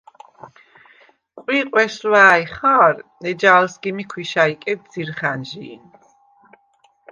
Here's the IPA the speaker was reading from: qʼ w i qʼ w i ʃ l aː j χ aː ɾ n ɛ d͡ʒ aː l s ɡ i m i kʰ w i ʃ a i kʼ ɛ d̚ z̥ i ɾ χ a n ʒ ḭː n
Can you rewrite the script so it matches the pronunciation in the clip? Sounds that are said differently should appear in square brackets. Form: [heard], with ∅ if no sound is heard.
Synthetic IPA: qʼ w i qʼ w [ɛ] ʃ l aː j χ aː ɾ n ɛ d͡ʒ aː l s ɡ i m i kʰ w i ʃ a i kʼ ɛ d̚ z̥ i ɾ χ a n ʒ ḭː n